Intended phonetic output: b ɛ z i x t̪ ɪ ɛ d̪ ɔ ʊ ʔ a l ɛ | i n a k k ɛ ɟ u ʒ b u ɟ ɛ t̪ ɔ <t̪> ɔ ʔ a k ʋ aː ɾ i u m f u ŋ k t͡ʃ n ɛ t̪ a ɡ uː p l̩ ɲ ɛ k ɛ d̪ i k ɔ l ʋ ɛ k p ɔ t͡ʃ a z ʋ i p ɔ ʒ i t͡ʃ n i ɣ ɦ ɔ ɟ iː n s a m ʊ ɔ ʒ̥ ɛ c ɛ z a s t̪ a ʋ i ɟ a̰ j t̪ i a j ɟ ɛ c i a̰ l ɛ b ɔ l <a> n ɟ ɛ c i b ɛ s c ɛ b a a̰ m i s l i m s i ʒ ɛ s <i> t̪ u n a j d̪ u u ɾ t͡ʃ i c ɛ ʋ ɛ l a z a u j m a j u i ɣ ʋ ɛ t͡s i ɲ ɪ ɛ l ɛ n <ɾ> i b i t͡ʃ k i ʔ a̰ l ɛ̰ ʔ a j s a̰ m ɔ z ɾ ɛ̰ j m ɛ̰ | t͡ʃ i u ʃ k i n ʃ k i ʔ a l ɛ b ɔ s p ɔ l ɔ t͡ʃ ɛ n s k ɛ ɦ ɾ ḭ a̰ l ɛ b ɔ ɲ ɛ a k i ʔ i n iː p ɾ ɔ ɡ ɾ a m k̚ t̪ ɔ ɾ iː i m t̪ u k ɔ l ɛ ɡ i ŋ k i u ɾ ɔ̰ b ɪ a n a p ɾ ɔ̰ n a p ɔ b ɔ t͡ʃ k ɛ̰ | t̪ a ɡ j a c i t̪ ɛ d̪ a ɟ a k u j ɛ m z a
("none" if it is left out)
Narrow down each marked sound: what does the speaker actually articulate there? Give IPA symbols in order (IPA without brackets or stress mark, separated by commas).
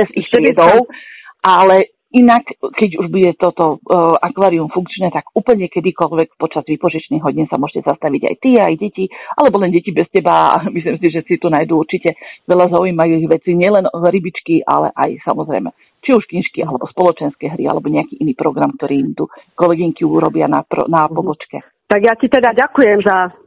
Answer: t̪, ɛ, i, ɾ